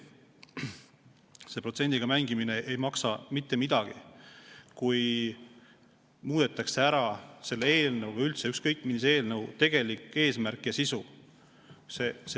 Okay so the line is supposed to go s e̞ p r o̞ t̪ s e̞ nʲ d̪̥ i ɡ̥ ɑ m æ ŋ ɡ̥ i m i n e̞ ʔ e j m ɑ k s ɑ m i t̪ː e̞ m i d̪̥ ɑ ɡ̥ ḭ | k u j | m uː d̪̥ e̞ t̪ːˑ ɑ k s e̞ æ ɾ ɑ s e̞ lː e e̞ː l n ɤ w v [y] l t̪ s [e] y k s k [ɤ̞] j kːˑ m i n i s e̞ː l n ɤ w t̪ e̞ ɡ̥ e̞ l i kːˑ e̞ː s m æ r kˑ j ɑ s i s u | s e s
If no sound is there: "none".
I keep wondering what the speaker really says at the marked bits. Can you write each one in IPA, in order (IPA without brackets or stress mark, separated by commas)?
y, e, ɤ̞